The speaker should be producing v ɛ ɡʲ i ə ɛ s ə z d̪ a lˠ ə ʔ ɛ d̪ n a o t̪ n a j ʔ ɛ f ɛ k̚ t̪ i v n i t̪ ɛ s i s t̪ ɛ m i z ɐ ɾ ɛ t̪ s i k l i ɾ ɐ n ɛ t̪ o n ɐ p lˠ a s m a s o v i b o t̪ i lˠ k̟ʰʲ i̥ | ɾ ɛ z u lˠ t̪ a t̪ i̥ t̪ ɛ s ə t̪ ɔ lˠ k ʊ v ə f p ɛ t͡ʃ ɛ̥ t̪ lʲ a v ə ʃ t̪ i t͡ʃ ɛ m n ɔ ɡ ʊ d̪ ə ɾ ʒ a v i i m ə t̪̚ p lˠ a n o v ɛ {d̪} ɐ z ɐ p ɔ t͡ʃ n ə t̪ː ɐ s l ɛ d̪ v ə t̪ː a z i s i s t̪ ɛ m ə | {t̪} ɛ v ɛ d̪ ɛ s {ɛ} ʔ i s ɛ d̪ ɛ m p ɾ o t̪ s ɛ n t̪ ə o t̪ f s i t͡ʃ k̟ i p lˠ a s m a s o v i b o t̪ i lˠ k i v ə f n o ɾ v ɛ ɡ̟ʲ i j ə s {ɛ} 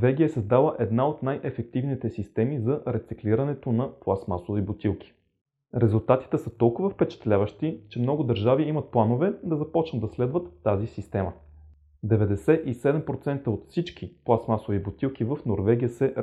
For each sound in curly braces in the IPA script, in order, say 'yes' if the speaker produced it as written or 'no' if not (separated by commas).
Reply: yes, no, yes, yes